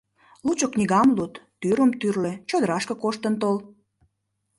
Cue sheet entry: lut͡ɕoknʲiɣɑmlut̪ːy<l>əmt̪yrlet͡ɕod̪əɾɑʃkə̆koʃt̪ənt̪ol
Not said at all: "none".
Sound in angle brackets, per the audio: ɾ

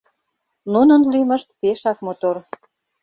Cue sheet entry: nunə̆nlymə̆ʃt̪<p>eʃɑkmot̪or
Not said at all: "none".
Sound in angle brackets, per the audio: p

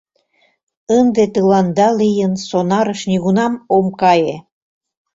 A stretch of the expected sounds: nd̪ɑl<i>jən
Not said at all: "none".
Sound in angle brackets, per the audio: i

